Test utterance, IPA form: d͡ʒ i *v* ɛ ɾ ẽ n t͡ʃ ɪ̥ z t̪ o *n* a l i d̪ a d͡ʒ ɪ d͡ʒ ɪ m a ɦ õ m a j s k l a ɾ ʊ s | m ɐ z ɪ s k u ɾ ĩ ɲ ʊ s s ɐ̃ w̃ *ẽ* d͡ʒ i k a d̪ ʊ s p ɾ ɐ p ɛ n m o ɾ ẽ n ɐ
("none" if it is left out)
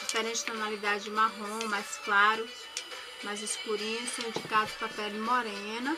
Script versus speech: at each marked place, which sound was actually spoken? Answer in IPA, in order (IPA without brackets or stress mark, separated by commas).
f, n, ĩ